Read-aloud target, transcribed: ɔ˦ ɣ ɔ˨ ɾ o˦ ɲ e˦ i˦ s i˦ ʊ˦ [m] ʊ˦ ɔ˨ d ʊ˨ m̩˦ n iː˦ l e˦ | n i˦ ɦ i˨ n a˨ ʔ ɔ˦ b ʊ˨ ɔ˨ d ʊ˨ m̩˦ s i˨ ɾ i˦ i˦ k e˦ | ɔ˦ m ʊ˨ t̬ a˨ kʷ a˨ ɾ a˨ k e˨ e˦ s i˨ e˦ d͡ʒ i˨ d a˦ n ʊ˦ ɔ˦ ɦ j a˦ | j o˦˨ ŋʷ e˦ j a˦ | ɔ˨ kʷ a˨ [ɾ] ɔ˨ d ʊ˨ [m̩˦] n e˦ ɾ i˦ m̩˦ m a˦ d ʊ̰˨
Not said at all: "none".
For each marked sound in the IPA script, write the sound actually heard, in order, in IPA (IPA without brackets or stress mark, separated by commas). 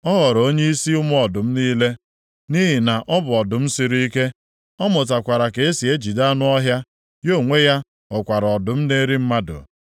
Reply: m, ɾ, m̩˦